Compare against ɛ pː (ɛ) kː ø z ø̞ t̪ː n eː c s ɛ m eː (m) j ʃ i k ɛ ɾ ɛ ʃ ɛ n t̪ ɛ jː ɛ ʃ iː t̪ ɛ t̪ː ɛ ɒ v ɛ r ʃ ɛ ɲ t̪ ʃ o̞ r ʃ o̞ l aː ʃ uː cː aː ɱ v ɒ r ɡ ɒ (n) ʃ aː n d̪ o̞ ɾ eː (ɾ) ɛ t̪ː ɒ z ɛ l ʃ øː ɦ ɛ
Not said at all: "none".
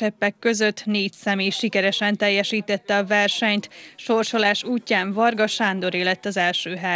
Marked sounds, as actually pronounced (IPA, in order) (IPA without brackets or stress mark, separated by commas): ɛ, none, none, l